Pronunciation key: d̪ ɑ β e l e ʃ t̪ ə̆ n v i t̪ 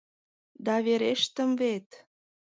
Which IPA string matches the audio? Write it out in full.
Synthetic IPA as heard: d̪ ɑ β e ɾ e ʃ t̪ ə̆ m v e t̪